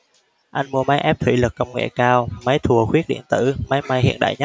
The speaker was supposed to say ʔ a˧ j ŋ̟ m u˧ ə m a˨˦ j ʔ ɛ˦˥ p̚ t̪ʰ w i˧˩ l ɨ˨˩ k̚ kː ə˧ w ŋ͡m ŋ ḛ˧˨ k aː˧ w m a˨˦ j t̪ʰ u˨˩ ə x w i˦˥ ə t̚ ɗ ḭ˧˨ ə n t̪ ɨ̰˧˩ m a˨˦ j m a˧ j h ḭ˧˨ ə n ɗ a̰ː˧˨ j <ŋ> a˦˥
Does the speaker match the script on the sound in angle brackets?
no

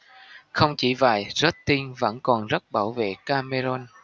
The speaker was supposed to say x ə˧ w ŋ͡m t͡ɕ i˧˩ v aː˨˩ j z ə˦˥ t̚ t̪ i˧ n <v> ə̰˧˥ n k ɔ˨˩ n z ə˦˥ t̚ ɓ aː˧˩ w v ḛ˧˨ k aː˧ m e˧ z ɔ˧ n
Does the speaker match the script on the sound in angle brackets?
yes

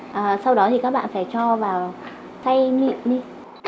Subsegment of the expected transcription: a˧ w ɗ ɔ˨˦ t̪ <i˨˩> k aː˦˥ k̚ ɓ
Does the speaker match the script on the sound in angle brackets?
yes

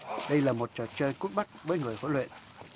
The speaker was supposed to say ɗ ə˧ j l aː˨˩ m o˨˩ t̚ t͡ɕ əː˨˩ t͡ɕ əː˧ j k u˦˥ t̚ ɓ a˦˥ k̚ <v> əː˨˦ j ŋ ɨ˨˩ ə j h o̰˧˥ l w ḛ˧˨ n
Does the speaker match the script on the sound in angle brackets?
yes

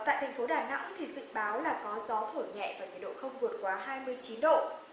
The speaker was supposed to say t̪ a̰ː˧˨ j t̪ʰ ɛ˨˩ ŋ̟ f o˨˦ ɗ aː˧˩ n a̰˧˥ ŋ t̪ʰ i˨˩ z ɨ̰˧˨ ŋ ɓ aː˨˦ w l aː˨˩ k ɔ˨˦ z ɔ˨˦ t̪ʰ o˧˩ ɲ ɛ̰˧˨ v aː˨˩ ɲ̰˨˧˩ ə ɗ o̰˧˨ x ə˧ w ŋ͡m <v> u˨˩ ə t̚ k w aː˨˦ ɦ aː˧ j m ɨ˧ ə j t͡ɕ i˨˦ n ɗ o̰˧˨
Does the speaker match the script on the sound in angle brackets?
yes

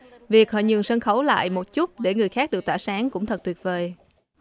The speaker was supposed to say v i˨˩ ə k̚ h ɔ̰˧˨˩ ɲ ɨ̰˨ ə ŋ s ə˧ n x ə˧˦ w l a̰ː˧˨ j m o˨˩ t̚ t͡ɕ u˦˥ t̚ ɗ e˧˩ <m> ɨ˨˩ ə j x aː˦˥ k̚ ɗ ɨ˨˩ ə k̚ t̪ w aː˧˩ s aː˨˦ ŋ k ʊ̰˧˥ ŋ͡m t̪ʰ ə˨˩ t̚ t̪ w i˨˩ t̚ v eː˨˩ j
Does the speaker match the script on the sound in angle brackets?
no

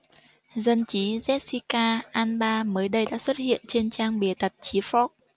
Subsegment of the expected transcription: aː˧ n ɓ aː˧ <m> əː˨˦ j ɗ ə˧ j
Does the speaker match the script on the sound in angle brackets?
yes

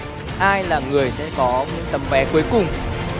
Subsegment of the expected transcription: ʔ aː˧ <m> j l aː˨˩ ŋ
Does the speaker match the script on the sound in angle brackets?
no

